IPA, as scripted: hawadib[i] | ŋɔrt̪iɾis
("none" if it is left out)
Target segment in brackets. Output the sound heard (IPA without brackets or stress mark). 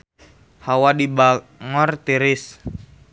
a